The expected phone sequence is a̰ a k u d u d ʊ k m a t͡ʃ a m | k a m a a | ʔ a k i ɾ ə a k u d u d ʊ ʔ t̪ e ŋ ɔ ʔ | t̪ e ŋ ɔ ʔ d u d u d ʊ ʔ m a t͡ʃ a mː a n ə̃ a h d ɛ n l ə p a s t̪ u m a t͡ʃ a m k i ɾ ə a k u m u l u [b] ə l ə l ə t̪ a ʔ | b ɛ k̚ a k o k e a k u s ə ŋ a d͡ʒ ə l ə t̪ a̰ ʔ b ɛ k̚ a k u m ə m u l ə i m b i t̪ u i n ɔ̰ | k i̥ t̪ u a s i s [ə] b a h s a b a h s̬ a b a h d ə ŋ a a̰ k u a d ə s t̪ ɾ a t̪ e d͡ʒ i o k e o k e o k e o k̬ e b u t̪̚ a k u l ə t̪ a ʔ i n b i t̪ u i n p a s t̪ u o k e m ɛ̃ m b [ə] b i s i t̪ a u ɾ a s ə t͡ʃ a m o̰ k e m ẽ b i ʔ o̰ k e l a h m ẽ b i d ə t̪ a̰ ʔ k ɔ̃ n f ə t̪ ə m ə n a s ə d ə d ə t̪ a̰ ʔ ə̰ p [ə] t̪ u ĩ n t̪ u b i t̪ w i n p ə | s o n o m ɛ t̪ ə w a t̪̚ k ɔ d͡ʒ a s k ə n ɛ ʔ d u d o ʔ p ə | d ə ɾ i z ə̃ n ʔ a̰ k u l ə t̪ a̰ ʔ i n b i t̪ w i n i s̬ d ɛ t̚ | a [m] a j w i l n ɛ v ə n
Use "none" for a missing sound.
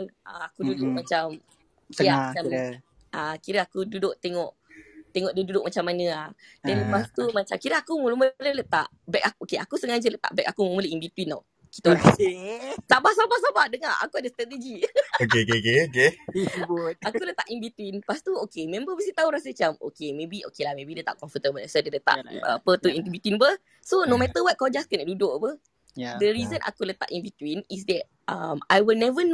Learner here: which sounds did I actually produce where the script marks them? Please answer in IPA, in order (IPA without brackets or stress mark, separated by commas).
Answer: m, a, ə, ə, m